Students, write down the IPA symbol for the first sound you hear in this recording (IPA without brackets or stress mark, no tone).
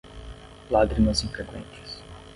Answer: l